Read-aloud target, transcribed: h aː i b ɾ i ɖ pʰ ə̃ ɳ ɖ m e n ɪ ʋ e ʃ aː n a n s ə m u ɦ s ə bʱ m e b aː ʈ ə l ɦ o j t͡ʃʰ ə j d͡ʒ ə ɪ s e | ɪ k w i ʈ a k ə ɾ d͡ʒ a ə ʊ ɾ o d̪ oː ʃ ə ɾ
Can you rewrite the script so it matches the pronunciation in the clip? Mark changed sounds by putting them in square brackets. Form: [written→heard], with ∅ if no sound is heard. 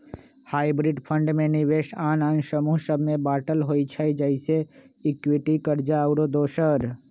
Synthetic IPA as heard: h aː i b ɾ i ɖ pʰ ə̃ ɳ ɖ m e n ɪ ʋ e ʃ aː n a n s ə m u ɦ s ə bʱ m e b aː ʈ ə l ɦ o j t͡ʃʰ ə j d͡ʒ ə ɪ s e | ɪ k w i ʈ [a→i] k ə ɾ d͡ʒ a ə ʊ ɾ o d̪ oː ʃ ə ɾ